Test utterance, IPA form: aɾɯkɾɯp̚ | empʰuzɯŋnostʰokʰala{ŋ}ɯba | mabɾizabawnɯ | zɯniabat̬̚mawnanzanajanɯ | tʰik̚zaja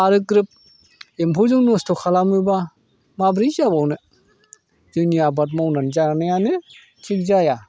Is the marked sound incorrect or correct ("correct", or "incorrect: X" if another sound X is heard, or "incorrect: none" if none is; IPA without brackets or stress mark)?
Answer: incorrect: m